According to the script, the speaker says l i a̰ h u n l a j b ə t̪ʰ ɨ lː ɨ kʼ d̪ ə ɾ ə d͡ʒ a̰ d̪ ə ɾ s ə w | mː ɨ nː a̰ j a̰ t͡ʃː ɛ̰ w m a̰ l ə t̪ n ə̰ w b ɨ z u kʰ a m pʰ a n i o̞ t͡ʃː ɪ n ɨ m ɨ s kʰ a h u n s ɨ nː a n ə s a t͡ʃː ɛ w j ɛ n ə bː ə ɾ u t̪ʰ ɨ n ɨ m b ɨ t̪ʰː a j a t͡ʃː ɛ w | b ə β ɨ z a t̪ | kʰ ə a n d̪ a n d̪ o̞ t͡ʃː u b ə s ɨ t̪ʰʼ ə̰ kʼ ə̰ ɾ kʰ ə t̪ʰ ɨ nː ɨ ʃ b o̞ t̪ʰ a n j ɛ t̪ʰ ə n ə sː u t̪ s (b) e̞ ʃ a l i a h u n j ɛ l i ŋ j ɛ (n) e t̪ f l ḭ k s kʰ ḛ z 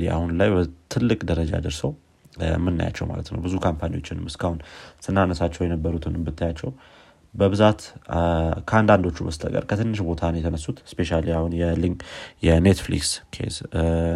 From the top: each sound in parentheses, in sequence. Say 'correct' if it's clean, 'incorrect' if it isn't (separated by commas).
incorrect, correct